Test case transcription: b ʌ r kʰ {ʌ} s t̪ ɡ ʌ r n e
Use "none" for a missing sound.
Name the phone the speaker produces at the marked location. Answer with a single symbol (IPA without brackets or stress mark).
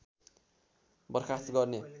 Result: a